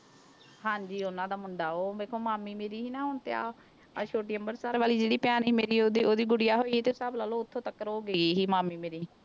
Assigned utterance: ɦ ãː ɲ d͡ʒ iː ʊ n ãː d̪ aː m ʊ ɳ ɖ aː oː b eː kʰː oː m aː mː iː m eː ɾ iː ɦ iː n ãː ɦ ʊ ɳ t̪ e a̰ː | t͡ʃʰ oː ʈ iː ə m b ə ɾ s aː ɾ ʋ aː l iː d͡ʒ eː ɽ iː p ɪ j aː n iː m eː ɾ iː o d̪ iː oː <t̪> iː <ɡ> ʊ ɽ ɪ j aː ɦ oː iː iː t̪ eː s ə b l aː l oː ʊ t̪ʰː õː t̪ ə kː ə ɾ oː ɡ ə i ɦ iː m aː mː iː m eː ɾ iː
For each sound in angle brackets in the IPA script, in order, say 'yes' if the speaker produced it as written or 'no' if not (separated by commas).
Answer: no, yes